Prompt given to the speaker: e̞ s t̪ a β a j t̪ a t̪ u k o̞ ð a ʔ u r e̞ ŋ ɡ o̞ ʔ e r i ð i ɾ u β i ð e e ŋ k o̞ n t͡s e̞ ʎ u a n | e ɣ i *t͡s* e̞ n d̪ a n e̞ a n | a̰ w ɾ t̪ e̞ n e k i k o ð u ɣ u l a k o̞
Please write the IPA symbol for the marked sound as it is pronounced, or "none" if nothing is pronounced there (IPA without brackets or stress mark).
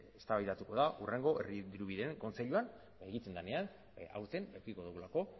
t͡s